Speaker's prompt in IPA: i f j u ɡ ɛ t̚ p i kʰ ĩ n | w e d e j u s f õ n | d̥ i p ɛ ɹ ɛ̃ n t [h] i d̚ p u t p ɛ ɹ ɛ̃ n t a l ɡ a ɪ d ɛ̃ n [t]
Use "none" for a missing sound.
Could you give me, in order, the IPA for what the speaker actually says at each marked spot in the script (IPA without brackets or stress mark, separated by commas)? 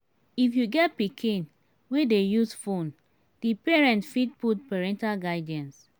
f, s